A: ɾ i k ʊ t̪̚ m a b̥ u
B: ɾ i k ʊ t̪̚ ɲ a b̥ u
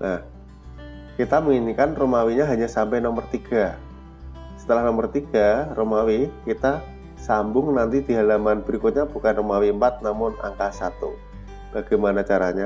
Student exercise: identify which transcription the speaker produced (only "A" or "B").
B